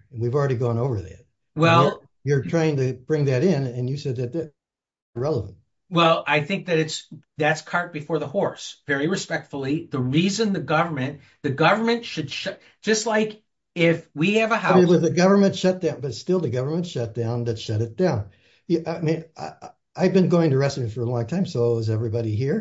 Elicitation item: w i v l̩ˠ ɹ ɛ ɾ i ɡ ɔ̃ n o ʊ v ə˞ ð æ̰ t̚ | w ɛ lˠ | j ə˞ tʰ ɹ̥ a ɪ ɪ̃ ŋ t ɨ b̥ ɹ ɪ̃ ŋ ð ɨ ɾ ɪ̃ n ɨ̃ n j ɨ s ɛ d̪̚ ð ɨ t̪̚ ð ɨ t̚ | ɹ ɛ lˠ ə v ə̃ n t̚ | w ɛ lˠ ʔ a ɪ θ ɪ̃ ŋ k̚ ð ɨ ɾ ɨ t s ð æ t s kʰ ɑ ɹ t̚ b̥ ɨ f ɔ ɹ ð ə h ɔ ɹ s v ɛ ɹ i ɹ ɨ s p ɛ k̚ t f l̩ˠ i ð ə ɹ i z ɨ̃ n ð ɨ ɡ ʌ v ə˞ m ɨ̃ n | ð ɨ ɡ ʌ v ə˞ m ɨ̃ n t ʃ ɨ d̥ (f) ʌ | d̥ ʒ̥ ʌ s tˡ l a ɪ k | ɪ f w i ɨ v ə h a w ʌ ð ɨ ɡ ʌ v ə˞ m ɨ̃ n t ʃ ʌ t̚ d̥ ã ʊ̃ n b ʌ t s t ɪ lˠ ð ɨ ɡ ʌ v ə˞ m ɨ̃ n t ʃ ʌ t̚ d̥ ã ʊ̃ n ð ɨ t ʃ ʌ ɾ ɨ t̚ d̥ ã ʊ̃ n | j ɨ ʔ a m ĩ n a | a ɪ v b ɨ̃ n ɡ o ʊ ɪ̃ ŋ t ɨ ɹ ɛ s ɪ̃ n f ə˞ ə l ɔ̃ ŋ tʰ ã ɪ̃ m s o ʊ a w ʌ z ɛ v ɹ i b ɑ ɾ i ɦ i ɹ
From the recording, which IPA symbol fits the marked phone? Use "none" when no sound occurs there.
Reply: ʃ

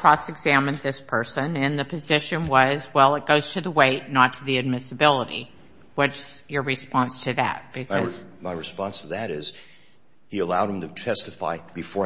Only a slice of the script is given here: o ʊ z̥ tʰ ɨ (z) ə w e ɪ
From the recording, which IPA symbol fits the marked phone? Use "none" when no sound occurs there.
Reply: ð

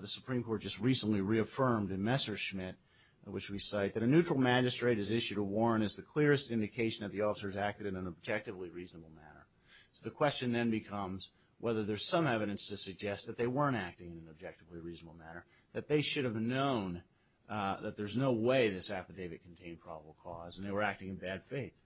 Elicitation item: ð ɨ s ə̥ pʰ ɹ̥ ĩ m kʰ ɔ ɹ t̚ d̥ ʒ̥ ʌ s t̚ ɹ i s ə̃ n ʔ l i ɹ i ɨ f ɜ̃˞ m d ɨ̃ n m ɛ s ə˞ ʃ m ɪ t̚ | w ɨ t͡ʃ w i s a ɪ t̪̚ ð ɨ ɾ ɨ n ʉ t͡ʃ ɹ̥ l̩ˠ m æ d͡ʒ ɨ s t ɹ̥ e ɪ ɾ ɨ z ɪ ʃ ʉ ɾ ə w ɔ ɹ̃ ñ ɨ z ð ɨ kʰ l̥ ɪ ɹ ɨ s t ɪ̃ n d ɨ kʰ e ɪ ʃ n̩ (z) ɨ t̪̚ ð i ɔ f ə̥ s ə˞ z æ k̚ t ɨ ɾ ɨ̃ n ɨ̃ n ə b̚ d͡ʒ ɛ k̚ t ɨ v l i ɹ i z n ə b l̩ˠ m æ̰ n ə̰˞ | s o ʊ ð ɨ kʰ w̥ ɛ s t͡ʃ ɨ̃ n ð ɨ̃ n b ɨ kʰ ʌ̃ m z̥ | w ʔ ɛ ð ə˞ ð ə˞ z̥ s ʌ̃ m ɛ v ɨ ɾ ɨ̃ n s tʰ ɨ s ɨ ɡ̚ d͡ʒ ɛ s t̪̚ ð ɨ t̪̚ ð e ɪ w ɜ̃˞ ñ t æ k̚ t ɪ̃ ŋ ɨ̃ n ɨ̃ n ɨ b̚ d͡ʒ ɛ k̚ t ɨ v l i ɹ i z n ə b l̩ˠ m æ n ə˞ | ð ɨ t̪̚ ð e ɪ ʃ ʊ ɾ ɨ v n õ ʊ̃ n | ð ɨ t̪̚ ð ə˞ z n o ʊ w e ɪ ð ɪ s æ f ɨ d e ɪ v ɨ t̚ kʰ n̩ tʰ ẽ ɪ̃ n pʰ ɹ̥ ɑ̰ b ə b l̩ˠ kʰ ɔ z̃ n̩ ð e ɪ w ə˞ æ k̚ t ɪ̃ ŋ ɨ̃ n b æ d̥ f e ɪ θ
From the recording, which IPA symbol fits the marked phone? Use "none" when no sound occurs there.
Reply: ð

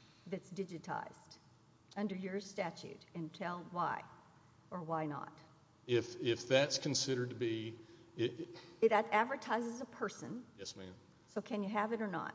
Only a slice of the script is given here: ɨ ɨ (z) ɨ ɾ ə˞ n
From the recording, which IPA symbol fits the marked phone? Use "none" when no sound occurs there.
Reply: v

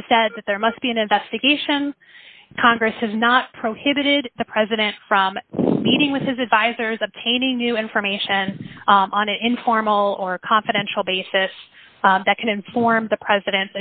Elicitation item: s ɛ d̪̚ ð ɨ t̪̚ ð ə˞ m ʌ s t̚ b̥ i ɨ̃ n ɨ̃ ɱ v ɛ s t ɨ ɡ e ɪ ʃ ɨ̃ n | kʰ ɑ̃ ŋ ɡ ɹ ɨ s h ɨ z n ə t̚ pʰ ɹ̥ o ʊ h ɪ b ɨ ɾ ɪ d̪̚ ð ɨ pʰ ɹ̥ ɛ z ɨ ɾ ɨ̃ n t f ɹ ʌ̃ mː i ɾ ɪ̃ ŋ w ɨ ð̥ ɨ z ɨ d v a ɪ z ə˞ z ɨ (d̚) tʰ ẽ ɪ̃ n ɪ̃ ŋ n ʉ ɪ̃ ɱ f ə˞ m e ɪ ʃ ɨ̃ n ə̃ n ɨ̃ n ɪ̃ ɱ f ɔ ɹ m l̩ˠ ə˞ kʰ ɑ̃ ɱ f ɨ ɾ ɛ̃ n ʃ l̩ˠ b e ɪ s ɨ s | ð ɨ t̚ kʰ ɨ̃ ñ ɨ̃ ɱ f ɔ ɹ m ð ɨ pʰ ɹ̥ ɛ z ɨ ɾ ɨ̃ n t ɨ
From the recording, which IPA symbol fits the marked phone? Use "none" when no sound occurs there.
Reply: b̚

